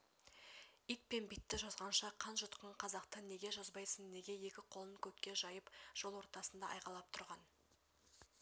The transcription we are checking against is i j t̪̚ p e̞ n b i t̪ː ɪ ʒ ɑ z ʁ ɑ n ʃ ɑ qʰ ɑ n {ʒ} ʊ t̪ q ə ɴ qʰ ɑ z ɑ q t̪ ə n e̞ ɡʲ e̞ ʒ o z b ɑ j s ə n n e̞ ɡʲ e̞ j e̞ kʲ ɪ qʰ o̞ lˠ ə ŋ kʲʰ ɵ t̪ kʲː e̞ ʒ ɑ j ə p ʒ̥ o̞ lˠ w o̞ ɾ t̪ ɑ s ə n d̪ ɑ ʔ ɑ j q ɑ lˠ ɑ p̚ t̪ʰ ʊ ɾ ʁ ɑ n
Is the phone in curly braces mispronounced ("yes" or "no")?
no